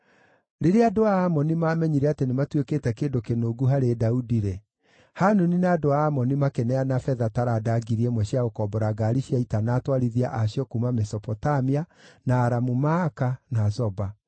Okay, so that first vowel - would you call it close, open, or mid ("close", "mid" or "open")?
mid